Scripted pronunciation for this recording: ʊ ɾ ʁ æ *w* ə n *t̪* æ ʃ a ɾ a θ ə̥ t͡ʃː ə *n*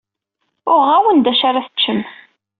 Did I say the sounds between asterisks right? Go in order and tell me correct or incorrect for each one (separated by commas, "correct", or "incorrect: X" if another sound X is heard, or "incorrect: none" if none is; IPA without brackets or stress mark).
correct, incorrect: d̪, incorrect: m